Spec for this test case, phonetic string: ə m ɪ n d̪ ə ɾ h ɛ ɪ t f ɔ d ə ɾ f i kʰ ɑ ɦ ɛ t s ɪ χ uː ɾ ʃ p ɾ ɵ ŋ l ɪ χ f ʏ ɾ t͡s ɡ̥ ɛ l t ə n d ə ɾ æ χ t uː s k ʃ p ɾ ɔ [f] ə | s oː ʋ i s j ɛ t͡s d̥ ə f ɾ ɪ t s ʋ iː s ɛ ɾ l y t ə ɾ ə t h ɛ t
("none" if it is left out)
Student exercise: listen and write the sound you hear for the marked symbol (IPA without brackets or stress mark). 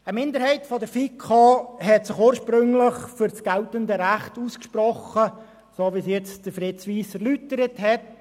χ